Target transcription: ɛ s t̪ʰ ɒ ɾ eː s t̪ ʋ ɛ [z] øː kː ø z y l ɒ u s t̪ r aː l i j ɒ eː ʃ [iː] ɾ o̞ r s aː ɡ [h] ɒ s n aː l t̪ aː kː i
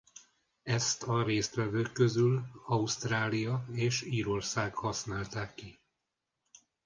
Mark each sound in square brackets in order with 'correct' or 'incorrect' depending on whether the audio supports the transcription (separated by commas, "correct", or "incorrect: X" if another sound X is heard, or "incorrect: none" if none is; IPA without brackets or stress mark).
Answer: incorrect: v, correct, correct